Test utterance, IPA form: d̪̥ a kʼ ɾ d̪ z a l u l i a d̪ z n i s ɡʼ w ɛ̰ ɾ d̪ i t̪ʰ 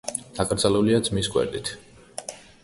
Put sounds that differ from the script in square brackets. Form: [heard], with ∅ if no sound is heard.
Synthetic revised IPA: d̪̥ a kʼ ɾ d̪ z a l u l i a d̪ z [m] i s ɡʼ w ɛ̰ ɾ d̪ i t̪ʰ